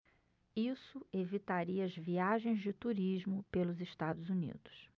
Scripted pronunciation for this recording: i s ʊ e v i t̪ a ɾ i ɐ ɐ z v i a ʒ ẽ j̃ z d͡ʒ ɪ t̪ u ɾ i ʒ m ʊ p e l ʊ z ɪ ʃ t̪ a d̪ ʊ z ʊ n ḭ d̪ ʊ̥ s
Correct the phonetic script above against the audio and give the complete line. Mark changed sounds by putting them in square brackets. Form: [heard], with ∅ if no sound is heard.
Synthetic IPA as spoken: i s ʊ e v i t̪ a ɾ i ɐ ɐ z v i a ʒ ẽ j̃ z d͡ʒ ɪ t̪ u ɾ i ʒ m ʊ p e l ʊ z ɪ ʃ t̪ a d̪ ʊ z [u] n ḭ d̪ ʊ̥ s